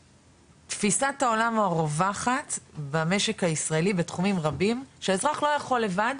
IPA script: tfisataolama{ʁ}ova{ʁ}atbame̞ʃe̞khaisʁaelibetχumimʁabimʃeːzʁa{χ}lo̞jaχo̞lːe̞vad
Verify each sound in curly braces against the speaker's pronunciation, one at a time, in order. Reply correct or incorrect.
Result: correct, incorrect, correct

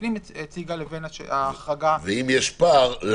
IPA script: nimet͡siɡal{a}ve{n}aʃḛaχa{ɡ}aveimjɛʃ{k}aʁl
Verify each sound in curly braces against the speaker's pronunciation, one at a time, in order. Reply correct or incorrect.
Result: incorrect, correct, correct, incorrect

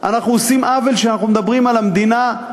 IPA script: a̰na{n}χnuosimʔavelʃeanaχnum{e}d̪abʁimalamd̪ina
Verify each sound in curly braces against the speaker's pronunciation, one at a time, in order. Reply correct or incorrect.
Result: incorrect, correct

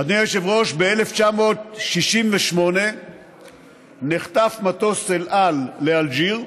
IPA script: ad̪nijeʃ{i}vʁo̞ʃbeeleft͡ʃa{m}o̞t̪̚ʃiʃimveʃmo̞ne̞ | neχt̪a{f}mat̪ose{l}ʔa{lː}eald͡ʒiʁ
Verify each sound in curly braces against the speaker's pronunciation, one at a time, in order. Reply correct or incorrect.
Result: incorrect, correct, correct, correct, correct

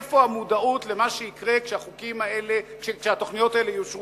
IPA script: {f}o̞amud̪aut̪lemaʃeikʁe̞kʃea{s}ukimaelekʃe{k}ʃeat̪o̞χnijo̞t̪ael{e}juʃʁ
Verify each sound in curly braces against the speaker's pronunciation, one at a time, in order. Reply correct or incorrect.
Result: correct, incorrect, correct, correct

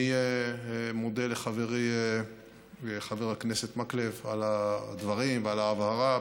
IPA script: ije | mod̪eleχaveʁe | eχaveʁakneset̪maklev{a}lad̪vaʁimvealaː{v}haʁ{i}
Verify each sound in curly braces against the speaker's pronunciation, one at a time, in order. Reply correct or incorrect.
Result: correct, correct, incorrect

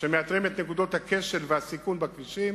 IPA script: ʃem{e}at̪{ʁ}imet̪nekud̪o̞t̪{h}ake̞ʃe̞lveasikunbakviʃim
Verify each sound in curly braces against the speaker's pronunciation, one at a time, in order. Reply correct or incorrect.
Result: correct, correct, correct

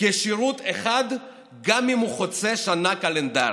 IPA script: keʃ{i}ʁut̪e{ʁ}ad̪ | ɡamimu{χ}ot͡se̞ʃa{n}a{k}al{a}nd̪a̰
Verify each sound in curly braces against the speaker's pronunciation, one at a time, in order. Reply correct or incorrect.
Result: correct, incorrect, correct, correct, correct, incorrect

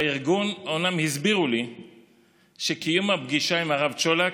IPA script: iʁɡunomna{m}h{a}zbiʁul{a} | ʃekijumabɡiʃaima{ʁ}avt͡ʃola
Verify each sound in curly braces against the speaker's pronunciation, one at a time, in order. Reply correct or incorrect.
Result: correct, incorrect, incorrect, correct

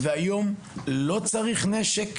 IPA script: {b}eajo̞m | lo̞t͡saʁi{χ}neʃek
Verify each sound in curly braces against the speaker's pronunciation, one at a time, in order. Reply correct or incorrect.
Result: incorrect, correct

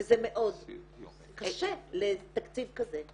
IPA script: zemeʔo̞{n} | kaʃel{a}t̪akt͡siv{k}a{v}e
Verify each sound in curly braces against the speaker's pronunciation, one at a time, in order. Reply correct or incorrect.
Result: incorrect, incorrect, correct, incorrect

